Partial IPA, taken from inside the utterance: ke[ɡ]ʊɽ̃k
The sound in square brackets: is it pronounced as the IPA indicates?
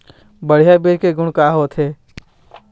yes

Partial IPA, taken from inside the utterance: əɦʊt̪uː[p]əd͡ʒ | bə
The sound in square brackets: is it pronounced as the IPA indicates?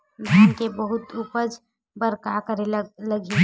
yes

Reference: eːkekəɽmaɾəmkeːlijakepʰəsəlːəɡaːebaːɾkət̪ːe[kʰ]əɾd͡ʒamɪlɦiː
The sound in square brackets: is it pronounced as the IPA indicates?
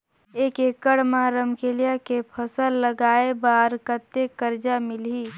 no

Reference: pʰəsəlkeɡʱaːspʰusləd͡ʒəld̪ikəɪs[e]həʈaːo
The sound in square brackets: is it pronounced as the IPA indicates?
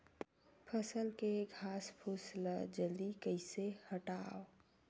yes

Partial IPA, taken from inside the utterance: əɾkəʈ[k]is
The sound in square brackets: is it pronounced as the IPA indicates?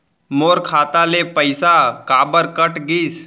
no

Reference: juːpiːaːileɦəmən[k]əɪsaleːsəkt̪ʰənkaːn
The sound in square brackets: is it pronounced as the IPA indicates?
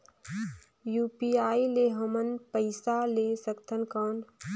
no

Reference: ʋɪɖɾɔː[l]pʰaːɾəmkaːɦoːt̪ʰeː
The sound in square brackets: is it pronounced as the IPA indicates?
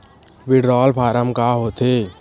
yes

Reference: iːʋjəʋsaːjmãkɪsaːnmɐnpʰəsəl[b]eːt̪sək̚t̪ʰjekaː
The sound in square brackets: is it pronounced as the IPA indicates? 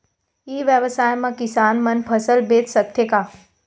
yes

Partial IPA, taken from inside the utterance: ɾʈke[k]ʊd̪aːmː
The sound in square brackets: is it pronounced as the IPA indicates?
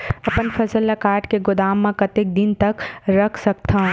no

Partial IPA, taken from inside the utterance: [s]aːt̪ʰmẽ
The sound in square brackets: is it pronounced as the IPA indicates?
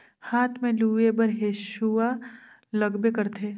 no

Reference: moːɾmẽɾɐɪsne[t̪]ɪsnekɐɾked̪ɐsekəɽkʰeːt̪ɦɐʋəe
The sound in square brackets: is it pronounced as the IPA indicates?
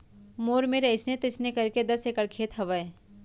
yes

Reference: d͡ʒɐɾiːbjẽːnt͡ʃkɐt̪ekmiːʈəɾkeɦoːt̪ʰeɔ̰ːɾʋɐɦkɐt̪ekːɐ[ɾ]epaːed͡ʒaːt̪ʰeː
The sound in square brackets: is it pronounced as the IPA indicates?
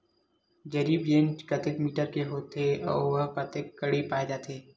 no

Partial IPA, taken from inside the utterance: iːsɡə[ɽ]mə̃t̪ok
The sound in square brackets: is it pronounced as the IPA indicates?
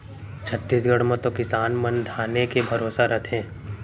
yes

